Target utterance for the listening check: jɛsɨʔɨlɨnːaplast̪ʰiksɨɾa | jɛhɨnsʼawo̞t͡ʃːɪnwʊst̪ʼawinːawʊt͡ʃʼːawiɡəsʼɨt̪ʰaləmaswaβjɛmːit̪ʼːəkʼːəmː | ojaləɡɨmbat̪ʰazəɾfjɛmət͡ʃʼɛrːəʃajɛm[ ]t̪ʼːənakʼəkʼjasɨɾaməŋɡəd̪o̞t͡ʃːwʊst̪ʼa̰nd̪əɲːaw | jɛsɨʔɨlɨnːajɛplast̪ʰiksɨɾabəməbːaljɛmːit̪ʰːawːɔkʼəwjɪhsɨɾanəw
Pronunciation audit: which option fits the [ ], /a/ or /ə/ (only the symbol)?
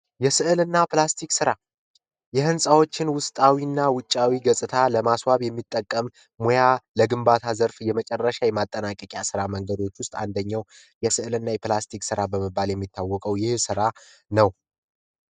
a